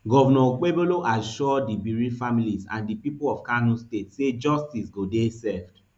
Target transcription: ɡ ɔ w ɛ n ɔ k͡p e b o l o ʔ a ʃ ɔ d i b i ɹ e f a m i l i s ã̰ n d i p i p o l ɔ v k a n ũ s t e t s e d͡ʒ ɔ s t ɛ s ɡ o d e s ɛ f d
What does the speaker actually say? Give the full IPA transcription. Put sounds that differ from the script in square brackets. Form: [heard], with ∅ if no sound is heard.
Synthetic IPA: ɡ ɔ [v] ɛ n ɔ k͡p e b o l o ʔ a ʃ ɔ d i b i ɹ [i] f a m i l i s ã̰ n d i p i p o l ɔ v k a n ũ s t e t s e d͡ʒ ɔ s t [i] s ɡ o d e s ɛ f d